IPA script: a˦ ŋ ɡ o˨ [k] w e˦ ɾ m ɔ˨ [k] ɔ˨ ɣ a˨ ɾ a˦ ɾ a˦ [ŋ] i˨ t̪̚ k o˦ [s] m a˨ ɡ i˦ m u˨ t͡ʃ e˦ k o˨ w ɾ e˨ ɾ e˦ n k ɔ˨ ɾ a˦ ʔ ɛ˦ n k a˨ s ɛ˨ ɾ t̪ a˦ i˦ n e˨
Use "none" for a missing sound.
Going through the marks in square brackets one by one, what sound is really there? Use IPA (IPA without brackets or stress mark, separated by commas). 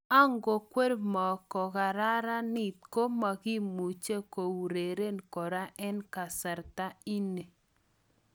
k, k, n, none